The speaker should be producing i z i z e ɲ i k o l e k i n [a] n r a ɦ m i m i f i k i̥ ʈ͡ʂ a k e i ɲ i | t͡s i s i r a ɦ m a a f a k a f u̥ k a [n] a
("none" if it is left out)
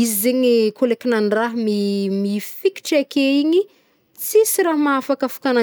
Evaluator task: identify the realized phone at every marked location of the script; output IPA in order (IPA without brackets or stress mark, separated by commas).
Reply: a, n